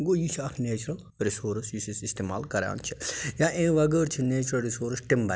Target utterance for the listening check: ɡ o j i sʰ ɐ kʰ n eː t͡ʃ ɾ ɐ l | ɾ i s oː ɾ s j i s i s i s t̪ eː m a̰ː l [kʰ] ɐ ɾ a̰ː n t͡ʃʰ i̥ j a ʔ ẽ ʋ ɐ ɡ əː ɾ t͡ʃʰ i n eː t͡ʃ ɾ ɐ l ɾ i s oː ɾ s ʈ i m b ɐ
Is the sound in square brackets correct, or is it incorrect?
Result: incorrect